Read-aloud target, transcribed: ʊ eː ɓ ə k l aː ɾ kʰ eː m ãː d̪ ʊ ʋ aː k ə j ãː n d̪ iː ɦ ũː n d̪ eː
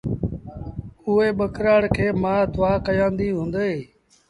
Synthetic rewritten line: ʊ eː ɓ ə k ɾ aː ɽ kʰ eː m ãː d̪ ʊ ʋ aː k ə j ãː n d̪ iː ɦ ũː n d̪ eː